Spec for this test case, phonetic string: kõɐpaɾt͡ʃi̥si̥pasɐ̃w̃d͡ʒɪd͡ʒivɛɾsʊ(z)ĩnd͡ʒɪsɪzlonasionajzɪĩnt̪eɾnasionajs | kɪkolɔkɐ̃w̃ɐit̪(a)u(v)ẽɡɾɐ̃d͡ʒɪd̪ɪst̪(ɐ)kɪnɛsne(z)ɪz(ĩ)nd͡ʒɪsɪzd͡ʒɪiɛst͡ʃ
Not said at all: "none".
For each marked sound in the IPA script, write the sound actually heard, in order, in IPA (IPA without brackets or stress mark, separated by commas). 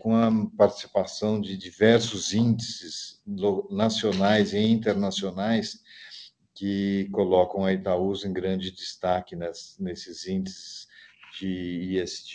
z, a, z, a, s, ĩ